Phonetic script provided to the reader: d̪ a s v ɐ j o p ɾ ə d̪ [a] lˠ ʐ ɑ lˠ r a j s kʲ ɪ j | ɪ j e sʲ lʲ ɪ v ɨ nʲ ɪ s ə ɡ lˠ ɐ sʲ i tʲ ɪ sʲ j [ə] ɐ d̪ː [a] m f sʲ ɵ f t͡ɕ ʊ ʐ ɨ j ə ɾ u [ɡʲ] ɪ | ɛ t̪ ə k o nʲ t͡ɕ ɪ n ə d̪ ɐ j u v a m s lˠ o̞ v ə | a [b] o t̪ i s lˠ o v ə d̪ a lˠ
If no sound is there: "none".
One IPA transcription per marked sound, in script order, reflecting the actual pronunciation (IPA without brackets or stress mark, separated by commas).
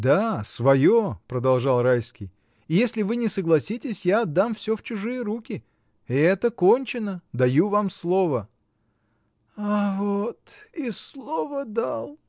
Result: ɐ, a, a, kʲ, v